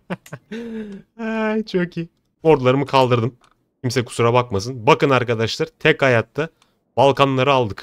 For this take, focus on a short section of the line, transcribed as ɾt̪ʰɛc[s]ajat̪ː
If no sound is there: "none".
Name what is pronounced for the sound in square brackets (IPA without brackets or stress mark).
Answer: h